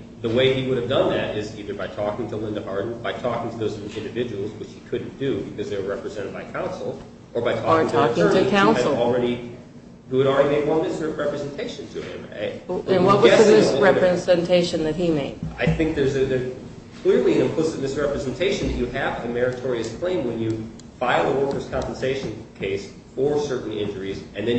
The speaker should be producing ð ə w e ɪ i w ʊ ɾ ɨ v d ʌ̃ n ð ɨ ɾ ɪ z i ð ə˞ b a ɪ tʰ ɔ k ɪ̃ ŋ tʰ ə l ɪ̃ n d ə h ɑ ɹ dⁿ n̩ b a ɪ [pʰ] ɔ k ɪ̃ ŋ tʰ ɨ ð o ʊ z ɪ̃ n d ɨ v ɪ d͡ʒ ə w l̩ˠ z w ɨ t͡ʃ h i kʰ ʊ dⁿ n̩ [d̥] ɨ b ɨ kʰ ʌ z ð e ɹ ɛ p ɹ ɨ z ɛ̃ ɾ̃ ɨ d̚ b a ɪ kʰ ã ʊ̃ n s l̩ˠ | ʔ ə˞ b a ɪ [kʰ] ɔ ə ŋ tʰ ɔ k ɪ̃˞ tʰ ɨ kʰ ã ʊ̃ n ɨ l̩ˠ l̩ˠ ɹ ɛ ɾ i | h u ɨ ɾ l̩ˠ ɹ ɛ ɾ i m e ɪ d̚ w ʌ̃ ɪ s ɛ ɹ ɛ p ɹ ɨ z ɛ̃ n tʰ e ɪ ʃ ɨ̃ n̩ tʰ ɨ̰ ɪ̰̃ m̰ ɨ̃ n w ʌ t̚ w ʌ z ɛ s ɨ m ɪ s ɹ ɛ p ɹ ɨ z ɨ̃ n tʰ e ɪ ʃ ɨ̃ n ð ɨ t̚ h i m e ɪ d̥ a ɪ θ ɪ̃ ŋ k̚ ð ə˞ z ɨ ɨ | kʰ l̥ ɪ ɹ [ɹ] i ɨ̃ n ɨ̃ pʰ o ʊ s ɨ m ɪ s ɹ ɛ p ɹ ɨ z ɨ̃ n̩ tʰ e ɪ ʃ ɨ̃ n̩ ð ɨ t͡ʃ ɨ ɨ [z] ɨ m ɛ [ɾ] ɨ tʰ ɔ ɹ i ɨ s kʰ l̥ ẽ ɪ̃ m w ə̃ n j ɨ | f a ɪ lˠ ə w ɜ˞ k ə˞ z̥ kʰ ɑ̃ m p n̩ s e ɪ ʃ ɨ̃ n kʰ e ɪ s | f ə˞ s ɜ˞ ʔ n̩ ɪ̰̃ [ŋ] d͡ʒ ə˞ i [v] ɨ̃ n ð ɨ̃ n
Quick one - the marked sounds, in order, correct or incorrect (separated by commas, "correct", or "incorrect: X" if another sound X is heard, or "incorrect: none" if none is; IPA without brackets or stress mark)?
incorrect: tʰ, correct, incorrect: tʰ, incorrect: l, incorrect: v, incorrect: ɹ, incorrect: n, incorrect: z